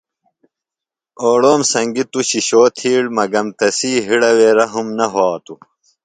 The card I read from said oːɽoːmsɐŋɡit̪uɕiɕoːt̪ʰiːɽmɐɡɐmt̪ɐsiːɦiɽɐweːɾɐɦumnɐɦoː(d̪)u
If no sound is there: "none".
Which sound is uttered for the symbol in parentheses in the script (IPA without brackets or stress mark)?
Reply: t̪